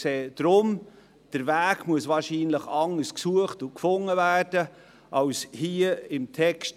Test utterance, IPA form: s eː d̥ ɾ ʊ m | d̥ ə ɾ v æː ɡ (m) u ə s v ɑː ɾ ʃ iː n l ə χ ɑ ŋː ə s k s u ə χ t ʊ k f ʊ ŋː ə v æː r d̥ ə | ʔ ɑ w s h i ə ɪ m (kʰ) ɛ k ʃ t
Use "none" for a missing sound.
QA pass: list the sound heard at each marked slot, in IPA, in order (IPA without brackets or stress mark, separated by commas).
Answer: m, tʰ